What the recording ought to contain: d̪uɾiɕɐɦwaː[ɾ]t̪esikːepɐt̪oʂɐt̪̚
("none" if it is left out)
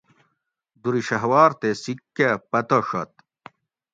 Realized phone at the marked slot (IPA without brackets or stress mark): ɾ